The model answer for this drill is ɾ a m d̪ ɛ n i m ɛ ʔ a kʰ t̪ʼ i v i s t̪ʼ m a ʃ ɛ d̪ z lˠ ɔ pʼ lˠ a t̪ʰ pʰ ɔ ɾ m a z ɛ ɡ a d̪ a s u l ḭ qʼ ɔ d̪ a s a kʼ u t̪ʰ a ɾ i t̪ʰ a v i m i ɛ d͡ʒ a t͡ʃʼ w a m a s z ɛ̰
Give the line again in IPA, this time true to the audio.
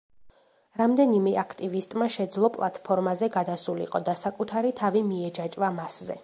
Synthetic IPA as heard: ɾ a m d̪ ɛ n i m ɛ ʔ a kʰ t̪ʼ i v i s t̪ʼ m a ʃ ɛ d̪ z lˠ ɔ pʼ lˠ a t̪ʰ pʰ ɔ ɾ m a z ɛ ɡ a d̪ a s u l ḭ qʼ ɔ d̪ a s a kʼ u t̪ʰ a ɾ i t̪ʰ a v i m i ɛ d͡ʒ a t͡ʃʼ v a m a s z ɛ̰